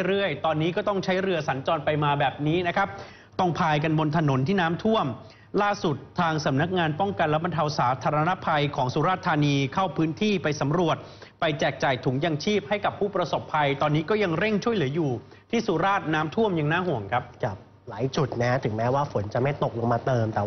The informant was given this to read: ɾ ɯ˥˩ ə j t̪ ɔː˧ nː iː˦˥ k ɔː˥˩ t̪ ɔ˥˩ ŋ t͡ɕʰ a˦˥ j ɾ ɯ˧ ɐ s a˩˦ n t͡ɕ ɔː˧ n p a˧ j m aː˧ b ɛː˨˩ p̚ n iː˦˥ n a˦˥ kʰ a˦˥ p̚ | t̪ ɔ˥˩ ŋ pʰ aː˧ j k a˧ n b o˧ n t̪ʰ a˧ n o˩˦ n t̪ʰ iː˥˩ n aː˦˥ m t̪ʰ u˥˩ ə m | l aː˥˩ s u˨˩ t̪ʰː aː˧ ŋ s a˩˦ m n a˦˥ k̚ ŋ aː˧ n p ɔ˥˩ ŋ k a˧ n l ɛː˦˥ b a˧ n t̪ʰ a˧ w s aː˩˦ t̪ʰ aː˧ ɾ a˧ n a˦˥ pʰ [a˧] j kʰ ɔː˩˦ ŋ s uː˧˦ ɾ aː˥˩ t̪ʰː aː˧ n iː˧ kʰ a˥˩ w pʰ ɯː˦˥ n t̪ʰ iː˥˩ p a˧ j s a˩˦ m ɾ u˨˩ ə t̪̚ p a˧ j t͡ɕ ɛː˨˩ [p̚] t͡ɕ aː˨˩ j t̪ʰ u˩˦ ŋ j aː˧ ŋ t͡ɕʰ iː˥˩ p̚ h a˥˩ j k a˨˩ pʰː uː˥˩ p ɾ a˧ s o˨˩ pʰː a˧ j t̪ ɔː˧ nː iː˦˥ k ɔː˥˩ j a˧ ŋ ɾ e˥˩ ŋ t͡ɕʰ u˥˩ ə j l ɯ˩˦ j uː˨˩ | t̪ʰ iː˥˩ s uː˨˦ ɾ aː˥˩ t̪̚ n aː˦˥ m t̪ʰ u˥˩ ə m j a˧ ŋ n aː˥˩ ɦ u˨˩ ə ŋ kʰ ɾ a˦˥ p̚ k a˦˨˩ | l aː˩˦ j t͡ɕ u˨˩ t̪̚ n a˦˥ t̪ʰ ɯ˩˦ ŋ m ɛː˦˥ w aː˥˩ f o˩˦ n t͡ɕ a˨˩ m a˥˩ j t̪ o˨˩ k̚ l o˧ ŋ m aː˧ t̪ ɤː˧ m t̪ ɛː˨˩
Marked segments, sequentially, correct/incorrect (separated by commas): correct, incorrect